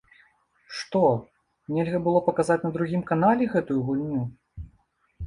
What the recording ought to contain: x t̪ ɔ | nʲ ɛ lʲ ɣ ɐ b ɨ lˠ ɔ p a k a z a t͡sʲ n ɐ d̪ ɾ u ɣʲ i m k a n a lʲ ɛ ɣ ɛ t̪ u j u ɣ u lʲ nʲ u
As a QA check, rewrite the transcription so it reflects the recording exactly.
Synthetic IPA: ʂ t̪ ɔ | nʲ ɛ lʲ ɣ ɐ b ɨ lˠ ɔ p ɐ k a z a t͡sʲ n ɐ d̪ ɾ u ɣʲ i m k a n a lʲ ɛ ɣ ɛ t̪ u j u ɣ u lʲ nʲ u